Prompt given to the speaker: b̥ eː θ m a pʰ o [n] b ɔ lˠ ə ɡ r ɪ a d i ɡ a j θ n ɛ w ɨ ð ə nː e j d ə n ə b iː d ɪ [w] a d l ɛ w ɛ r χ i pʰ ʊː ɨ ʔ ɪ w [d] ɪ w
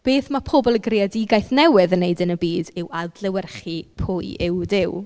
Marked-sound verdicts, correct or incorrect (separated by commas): incorrect, correct, correct